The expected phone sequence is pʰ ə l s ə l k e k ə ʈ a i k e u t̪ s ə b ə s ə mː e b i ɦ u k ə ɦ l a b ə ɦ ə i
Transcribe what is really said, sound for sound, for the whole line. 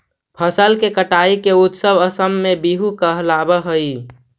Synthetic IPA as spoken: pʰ ə s ə l k e k ə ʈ a i k e u t̪ s ə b ə s ə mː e b i ɦ u k ə ɦ l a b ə ɦ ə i